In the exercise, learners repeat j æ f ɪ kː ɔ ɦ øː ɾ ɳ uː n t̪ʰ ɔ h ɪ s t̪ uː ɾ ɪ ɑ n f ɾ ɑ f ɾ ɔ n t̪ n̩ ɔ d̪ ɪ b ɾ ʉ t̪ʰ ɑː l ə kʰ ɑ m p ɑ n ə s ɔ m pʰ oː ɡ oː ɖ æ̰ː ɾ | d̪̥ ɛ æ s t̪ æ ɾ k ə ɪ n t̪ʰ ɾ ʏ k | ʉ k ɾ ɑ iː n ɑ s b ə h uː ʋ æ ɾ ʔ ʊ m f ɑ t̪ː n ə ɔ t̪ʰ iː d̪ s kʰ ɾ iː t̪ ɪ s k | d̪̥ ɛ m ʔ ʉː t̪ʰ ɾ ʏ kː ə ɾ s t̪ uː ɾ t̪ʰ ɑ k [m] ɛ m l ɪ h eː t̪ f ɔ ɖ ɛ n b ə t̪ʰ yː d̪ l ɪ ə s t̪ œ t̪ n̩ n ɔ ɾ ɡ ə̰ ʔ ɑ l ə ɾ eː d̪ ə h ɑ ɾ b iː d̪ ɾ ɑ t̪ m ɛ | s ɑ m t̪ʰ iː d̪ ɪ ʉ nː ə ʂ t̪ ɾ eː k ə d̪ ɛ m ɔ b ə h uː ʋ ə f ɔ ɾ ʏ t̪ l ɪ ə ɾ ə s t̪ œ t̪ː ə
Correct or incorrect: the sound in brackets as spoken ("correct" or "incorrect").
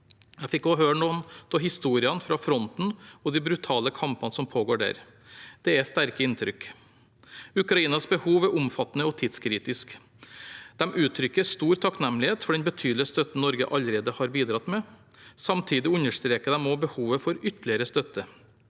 incorrect